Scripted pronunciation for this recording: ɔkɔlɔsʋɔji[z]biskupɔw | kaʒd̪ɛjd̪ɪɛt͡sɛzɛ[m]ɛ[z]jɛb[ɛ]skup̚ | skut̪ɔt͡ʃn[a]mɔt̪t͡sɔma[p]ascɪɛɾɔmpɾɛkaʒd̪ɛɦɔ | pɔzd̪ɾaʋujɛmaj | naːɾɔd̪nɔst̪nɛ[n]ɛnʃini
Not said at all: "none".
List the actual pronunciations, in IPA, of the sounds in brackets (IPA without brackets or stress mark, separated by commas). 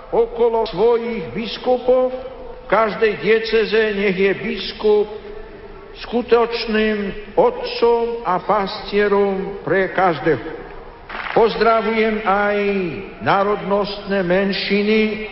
ɣ, ɲ, ɣ, i, i, p, m